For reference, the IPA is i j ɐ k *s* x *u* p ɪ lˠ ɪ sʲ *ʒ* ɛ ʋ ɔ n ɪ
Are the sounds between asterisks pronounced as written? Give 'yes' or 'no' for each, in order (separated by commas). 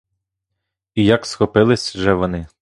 yes, no, yes